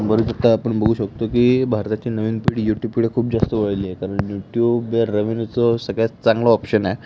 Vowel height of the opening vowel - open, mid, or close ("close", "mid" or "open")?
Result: mid